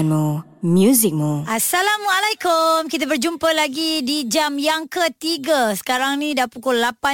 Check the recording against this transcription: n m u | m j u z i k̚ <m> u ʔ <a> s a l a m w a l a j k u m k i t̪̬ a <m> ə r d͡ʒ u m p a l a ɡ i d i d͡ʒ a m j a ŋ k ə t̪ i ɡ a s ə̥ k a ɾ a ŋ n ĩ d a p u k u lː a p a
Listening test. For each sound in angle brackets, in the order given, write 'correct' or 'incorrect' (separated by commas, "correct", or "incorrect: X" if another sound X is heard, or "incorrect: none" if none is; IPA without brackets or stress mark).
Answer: correct, correct, incorrect: b